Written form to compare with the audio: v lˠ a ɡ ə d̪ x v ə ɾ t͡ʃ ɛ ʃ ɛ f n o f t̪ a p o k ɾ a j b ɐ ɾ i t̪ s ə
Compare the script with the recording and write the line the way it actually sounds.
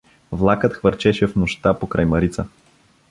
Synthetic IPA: v lˠ a k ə t̪ x v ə ɾ t͡ʃ ɛ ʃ ɛ f n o ʃ t̪ a p o k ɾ a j m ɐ ɾ i t̪ s ə